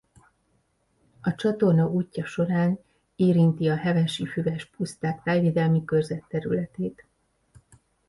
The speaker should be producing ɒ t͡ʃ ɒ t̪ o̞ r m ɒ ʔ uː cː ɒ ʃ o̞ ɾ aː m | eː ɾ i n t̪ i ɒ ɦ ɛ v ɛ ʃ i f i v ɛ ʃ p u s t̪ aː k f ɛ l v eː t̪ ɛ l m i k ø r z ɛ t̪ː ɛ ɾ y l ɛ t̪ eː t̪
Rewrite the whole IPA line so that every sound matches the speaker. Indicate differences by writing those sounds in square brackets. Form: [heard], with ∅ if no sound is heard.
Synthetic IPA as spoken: ɒ t͡ʃ ɒ t̪ o̞ r [n] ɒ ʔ uː cː ɒ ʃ o̞ ɾ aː [n] | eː ɾ i n t̪ i ɒ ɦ ɛ v ɛ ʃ i f [y] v ɛ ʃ p u s t̪ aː k f ɛ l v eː [d̪] ɛ l m i k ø r z ɛ t̪ː ɛ ɾ y l ɛ t̪ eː t̪